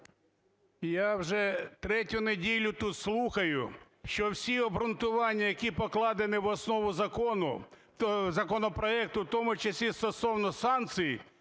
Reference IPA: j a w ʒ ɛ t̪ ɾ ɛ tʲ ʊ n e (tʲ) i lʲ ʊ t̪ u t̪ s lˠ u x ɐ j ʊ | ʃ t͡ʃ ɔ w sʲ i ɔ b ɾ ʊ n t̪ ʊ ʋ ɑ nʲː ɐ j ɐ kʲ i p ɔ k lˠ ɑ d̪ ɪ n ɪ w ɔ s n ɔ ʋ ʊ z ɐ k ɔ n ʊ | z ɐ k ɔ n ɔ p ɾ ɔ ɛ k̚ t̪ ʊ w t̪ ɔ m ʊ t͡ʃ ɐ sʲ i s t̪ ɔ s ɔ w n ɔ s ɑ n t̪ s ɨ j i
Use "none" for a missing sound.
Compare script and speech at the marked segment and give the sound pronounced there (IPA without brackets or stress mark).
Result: dʲ